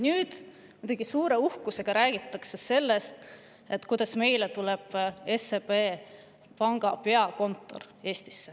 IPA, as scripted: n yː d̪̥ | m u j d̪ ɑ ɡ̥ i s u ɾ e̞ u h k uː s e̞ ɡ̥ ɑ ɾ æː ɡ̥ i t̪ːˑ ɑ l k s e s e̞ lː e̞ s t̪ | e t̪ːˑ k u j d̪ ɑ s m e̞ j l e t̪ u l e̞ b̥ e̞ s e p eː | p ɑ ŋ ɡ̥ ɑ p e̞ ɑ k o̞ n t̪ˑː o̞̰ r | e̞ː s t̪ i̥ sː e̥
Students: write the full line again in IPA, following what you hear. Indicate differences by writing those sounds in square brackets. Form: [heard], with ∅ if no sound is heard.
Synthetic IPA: n yː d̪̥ | m u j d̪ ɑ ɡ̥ i s [uː] ɾ e̞ u h k [u] s e̞ ɡ̥ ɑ ɾ æː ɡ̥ i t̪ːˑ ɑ [∅] k s e s e̞ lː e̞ s t̪ | e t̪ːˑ k u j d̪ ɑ s m e̞ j l e t̪ u l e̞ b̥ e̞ s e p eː | p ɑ ŋ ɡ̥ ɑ p e̞ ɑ k o̞ n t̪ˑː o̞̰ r | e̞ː s t̪ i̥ sː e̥